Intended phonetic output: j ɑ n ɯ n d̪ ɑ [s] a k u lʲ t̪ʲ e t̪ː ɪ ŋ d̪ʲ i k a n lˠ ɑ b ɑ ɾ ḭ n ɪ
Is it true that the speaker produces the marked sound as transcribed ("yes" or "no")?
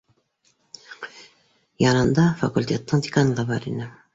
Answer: no